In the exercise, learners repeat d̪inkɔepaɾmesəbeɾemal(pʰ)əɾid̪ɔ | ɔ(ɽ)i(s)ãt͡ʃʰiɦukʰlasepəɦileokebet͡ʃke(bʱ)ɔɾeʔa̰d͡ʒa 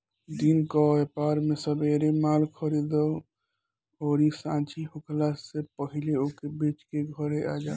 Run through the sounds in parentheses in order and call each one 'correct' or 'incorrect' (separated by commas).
incorrect, incorrect, correct, incorrect